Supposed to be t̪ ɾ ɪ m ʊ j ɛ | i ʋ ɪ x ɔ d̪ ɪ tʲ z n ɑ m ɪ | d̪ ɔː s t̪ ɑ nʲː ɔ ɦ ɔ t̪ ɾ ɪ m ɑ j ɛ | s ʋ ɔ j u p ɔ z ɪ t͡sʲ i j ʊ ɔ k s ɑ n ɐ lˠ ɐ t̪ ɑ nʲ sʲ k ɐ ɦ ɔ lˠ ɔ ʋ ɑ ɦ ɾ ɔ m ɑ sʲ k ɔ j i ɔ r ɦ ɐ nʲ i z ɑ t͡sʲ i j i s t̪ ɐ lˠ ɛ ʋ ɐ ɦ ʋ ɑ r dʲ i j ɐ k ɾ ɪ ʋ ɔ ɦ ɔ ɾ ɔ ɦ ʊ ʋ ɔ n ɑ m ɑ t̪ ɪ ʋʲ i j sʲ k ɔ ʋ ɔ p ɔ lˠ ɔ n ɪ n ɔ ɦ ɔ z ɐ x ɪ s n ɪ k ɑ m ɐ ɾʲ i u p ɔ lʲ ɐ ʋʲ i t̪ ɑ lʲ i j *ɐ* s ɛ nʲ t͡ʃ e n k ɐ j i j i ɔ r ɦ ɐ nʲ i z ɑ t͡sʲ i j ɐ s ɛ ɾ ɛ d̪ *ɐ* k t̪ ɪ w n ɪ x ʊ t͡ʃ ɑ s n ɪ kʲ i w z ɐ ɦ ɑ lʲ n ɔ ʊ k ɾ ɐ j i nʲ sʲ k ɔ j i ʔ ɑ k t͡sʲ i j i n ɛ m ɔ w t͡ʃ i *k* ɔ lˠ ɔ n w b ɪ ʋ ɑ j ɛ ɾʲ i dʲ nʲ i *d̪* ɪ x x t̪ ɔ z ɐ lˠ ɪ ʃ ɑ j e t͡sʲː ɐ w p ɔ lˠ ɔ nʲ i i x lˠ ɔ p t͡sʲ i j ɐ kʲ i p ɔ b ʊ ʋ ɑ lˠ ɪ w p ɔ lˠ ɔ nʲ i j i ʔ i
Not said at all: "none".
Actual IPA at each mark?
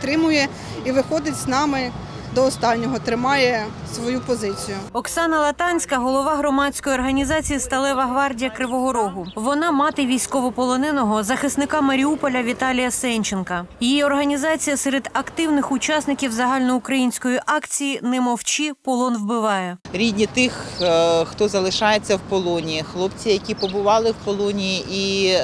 ɐ, ɐ, p, t̪

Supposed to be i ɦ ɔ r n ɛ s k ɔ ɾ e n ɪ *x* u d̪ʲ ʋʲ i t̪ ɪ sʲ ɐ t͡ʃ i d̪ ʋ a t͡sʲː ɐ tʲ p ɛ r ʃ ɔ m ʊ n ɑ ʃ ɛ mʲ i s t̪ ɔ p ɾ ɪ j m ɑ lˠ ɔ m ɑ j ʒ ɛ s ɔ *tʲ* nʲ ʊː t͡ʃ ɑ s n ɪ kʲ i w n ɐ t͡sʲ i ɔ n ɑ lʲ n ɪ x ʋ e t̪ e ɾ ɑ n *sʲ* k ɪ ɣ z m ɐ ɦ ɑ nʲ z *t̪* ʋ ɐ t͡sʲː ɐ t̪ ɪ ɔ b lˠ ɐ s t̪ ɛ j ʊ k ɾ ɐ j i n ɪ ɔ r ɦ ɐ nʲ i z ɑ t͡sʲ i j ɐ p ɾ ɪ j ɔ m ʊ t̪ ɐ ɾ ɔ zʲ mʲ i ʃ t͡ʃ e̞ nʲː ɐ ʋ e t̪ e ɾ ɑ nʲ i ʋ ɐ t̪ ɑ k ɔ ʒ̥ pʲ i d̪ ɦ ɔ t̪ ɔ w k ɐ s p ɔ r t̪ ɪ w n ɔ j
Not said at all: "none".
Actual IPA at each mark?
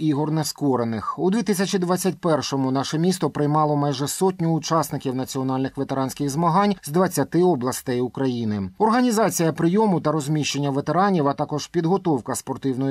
x, tʲ, sʲ, d̪

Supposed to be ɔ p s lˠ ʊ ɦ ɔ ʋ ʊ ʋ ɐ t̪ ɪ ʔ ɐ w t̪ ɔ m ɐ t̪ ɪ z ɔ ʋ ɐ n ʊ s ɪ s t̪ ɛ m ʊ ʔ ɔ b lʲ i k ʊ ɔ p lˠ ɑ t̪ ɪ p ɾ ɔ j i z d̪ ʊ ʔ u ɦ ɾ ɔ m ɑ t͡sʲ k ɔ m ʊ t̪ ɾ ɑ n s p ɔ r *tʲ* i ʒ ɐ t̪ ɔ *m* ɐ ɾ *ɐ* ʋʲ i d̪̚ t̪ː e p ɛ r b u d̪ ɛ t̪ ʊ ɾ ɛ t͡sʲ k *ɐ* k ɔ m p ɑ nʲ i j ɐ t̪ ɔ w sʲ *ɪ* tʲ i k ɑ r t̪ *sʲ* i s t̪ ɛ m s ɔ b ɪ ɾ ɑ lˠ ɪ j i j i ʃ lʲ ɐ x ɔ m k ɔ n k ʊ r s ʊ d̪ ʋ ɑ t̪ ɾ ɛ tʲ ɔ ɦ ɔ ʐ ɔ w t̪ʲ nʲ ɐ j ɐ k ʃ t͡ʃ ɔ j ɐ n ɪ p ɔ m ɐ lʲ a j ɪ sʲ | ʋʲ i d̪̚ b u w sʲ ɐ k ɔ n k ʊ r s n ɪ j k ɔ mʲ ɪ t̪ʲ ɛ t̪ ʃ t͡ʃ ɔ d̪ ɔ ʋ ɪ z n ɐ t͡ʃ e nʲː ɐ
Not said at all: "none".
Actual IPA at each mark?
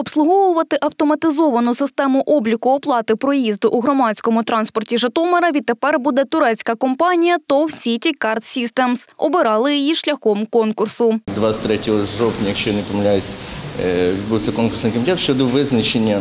tʲ, m, ɐ, ɐ, i, sʲ

